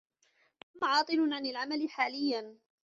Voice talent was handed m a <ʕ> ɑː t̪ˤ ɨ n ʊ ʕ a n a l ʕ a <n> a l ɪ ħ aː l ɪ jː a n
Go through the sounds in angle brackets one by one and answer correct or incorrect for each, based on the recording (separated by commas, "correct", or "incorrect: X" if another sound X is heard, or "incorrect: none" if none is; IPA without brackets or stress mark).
correct, incorrect: m